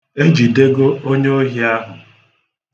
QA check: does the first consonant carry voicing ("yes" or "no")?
yes